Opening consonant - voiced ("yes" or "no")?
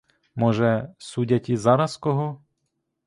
yes